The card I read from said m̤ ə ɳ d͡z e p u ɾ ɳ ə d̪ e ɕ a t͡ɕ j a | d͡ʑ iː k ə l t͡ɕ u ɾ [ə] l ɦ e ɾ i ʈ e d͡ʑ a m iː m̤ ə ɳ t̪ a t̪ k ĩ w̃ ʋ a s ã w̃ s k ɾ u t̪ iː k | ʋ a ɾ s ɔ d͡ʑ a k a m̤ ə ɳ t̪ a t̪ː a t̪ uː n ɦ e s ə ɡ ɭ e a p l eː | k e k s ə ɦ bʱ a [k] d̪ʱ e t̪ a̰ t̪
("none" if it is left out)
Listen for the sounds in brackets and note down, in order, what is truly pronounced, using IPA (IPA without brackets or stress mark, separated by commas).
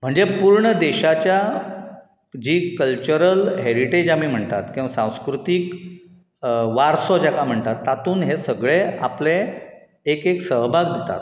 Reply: ə, ɡ